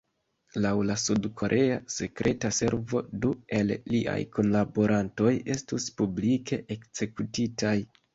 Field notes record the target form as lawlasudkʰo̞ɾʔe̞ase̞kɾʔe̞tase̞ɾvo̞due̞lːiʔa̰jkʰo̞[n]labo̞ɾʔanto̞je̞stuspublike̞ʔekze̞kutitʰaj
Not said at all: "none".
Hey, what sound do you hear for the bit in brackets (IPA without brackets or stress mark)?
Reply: n